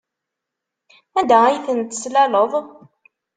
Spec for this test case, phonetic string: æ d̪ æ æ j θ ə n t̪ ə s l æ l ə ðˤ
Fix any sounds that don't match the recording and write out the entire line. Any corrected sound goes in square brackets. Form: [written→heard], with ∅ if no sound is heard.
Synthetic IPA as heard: æ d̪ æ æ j θ ə n t̪ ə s l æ l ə ðˤ